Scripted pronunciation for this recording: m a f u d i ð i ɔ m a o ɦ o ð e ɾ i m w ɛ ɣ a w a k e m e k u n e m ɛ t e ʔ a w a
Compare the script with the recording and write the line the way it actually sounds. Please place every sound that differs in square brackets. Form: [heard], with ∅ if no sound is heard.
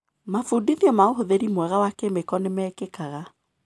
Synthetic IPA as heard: m a f u d i ð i ɔ m a o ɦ o ð e ɾ i m w ɛ ɣ a w a k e m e k [ɔ] n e m ɛ [k] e [k] a [ɣ] a

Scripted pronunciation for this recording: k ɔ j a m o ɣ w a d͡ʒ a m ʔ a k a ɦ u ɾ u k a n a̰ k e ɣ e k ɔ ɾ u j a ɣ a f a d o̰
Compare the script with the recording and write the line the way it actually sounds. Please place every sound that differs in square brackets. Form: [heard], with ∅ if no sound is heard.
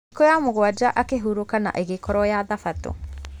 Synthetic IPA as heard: k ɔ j a m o ɣ w a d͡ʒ a [∅] ʔ a k [e] ɦ u ɾ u k a n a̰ [ʔ] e ɣ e k ɔ ɾ [ɔ] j a [ð] a f a [t] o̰

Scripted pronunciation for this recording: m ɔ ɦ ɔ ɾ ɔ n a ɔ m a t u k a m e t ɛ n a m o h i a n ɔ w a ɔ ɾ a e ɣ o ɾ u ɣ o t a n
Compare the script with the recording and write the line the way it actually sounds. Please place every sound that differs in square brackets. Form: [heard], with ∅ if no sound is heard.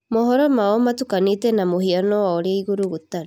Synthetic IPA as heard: m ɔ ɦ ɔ ɾ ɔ [m] a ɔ m a t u k a [n] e t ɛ n a m o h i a n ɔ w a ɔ ɾ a [i] ɣ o ɾ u ɣ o t a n

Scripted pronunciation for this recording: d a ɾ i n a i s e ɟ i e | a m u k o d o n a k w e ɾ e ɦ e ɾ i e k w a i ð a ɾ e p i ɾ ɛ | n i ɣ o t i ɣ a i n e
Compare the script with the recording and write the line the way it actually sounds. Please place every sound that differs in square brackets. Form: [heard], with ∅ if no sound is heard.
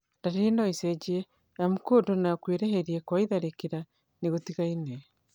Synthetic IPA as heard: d a ɾ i n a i s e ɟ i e | a m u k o d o n a k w e ɾ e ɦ e ɾ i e k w a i ð a ɾ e [k] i ɾ [a] | n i ɣ o t i ɣ a i n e

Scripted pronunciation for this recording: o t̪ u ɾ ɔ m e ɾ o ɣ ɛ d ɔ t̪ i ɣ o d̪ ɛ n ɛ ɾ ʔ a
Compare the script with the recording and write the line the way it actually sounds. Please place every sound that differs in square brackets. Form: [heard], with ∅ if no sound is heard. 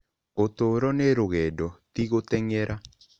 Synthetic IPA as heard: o t̪ [o] ɾ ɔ [n] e ɾ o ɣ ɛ d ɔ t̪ i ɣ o [t̪] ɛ [ŋ] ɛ ɾ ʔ a

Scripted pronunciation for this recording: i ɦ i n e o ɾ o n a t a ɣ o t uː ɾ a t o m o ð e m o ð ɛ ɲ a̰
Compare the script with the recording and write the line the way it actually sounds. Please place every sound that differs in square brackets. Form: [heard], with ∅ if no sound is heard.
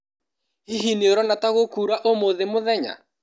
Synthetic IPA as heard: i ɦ i n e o ɾ [ɔ] n a t a ɣ o [k] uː ɾ a [ʔ] o m o ð e m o ð ɛ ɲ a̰

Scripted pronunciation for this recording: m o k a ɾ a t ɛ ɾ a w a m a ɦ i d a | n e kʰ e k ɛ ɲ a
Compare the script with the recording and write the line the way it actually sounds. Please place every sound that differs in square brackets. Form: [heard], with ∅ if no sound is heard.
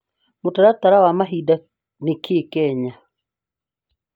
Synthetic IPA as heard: m o [t] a ɾ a t [a] ɾ a w a m a ɦ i d a | n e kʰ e k ɛ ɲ a

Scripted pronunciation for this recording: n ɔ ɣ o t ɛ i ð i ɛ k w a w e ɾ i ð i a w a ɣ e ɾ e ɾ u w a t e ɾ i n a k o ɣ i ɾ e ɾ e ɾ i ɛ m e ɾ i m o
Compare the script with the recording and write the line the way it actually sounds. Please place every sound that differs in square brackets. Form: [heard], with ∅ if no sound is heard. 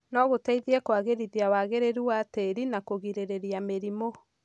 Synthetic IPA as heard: n ɔ ɣ o t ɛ i ð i ɛ k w a [ɣ] e ɾ i ð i a w a ɣ e ɾ e ɾ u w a t e ɾ i n a k o ɣ i ɾ e ɾ e ɾ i [a] m e ɾ i m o

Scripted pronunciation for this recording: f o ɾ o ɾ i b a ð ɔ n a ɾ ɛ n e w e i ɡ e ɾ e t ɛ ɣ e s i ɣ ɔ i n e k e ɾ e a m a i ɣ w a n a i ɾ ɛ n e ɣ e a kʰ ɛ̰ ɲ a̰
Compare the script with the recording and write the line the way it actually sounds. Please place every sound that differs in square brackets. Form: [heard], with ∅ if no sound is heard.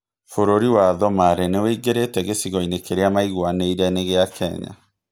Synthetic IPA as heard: f o ɾ o ɾ i [w] a ð ɔ [m] a ɾ ɛ n e w e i ɡ e ɾ e t ɛ ɣ e s i ɣ ɔ i n e k e ɾ e a m a i ɣ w a n [e] i ɾ ɛ n e ɣ e a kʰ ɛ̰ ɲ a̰

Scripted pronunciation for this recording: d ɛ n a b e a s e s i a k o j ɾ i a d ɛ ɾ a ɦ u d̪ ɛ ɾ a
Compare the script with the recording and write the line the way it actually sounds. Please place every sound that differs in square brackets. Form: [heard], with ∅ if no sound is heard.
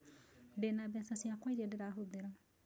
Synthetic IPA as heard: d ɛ n a b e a s [a] s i a k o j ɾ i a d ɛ ɾ a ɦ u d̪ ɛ ɾ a

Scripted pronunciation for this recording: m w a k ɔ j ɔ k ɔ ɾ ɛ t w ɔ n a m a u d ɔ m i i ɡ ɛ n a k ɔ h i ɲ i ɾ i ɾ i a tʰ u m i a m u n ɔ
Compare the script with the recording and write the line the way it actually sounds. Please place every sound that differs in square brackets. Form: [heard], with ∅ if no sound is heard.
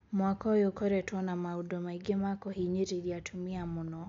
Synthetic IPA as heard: m w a k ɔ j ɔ k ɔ ɾ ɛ t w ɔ n a m a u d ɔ m [a] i ɡ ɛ [m] a k ɔ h i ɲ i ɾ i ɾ i a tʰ u m i a m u n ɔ

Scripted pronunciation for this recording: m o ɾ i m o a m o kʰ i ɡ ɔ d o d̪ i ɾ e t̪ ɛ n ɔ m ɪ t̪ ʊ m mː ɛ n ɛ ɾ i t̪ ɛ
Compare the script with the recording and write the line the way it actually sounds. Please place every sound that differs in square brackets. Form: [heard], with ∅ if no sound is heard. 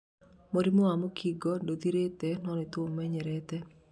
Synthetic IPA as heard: m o ɾ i m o a m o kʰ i ɡ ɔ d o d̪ i ɾ e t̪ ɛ n ɔ [n] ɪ t̪ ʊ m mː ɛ [ɲ] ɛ ɾ [ɛ] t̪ ɛ

